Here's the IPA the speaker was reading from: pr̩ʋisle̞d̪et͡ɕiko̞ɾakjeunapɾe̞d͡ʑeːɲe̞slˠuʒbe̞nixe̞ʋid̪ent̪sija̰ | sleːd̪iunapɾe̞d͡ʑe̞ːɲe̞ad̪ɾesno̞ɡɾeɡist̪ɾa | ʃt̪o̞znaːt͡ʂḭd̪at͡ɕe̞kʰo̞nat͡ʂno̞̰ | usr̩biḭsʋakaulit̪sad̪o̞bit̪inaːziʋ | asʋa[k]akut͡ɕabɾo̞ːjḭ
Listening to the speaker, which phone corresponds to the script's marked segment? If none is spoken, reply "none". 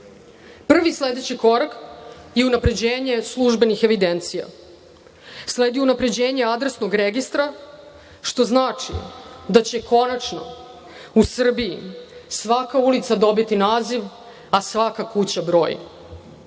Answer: k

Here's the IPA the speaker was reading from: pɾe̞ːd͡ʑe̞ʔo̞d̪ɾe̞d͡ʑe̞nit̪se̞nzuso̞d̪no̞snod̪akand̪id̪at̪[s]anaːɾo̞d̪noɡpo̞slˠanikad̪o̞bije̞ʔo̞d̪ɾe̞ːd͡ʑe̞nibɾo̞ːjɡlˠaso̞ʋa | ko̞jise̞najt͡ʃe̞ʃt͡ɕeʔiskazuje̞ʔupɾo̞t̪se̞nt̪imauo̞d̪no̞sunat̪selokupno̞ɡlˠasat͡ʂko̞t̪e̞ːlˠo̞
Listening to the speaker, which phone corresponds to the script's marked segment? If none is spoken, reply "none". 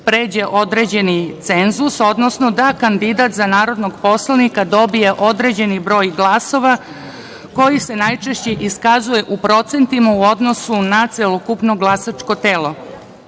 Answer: z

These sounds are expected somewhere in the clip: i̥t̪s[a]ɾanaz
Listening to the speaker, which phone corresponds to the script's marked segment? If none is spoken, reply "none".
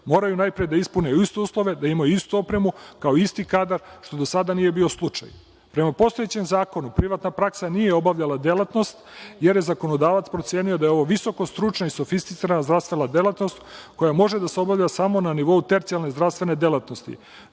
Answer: i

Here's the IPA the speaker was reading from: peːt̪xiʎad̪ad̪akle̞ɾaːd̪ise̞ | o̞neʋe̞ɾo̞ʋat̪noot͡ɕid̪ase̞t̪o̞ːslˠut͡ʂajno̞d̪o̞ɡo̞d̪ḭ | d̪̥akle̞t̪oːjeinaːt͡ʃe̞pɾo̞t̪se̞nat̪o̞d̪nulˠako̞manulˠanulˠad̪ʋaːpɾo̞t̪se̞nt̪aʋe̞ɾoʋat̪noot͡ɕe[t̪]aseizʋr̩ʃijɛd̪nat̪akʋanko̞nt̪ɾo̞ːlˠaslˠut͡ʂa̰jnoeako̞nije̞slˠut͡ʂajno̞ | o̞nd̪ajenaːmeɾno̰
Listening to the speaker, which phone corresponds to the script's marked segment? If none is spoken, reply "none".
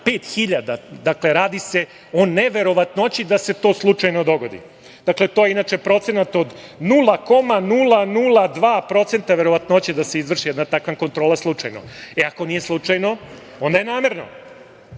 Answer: d̪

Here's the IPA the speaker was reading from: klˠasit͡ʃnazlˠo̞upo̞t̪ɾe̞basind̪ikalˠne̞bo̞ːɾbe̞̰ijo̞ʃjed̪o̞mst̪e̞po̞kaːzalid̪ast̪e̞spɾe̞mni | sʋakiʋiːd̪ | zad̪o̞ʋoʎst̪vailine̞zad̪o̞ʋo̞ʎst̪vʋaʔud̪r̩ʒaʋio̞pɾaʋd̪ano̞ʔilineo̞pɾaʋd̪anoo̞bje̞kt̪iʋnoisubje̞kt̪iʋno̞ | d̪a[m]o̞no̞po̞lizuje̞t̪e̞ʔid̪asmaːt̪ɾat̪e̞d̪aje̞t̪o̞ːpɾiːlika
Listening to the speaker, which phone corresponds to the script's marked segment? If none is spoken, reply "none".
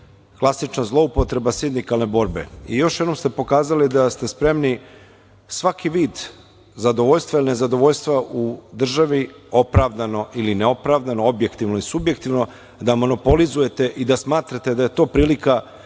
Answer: m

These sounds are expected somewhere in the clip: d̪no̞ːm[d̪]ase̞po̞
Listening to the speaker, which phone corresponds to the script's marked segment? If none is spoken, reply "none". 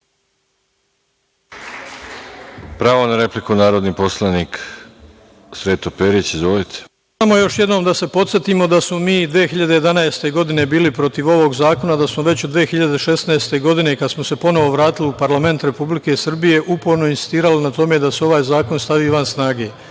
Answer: d̪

